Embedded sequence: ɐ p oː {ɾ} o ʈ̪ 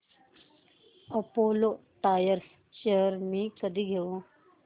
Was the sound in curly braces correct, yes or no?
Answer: no